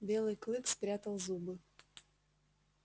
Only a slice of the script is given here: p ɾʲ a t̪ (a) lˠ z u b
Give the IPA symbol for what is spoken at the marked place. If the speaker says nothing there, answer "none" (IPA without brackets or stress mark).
ə